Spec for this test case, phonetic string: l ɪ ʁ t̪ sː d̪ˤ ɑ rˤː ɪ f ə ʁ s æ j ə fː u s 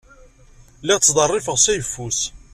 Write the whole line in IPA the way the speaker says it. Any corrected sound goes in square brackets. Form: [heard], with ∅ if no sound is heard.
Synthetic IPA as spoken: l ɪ ʁ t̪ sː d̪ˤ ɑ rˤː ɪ f ə ʁ s æ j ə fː u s